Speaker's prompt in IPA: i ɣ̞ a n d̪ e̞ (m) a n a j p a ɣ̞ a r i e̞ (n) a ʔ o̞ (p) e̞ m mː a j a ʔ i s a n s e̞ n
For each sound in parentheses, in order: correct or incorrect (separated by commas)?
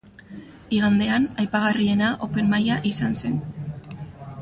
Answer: incorrect, correct, correct